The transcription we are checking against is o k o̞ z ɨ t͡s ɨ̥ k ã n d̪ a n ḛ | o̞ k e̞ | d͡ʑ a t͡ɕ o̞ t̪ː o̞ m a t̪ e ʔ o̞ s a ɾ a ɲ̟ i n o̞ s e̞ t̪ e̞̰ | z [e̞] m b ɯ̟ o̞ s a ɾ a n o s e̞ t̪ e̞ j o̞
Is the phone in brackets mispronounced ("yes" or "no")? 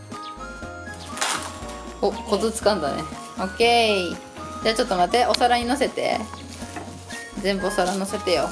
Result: yes